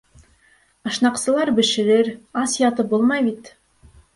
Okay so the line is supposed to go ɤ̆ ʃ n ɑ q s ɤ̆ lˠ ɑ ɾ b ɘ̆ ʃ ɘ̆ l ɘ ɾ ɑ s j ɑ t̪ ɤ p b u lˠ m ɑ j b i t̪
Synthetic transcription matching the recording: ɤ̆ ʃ n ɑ q s ɤ̆ lˠ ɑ ɾ b ɘ̆ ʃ ɘ̆ ɾ ɘ ɾ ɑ s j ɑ t̪ ɤ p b u lˠ m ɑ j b i t̪